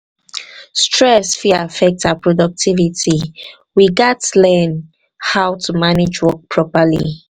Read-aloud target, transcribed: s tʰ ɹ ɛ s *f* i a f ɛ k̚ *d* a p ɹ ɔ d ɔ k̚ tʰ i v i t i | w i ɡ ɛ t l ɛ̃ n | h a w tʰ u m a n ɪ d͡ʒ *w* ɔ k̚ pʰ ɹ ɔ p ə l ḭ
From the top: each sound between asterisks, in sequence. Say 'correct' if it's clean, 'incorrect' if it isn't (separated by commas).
correct, incorrect, correct